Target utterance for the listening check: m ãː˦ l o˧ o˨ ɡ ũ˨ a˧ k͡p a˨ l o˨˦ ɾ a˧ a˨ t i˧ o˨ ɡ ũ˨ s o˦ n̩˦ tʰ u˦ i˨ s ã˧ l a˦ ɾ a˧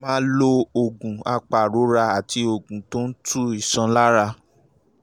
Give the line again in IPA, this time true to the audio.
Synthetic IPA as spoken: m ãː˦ l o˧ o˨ ɡ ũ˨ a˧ k͡p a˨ ɾ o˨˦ ɾ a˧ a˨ t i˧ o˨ ɡ ũ˨ t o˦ n̩˦ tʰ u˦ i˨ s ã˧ l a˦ ɾ a˧

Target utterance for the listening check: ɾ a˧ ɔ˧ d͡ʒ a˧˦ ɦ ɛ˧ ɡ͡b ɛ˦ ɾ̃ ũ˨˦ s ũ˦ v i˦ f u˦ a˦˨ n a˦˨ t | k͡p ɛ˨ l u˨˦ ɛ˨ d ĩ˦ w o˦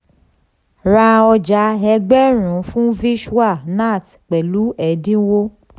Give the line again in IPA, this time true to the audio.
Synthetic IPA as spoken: ɾ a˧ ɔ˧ d͡ʒ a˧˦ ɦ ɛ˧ ɡ͡b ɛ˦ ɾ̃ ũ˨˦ f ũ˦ v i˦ ʃ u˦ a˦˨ n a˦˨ t | k͡p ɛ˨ l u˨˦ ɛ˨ d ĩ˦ w o˦

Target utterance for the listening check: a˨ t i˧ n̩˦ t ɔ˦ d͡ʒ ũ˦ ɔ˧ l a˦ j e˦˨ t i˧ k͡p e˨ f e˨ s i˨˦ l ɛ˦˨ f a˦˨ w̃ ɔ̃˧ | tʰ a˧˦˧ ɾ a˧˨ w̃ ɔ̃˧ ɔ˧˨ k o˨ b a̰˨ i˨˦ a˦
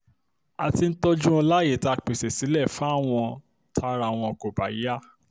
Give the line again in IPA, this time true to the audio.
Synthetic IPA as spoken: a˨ t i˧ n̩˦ t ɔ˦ d͡ʒ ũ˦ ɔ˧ l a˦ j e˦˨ t a˧ k͡p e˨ s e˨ s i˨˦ l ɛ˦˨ f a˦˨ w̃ ɔ̃˧ | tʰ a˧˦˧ ɾ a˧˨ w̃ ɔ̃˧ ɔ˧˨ k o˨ b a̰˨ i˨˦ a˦

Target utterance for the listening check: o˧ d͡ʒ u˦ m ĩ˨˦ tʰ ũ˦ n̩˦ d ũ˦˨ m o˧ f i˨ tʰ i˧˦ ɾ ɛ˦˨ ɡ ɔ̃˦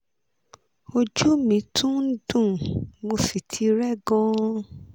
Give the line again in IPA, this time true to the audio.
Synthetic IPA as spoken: o˧ d͡ʒ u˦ m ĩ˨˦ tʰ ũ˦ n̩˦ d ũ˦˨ m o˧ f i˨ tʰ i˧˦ ɾ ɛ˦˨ ɡ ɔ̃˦

